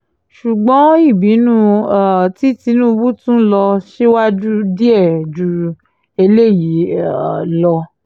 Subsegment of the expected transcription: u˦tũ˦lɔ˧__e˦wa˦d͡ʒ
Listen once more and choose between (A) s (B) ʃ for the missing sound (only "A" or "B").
B